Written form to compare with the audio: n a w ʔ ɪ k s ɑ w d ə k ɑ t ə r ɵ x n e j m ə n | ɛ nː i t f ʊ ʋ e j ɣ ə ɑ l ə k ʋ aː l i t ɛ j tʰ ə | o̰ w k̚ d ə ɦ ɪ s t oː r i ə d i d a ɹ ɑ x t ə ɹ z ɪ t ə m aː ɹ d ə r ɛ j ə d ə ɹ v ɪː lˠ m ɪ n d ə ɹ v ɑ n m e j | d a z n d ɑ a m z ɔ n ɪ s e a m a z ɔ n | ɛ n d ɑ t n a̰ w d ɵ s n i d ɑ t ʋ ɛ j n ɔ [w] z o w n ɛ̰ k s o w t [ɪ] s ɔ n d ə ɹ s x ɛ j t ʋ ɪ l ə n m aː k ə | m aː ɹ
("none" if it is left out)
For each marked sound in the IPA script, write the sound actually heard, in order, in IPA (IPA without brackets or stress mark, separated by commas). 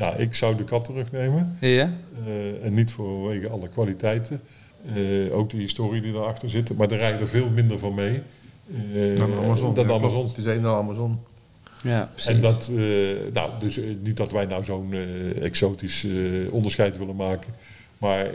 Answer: w, i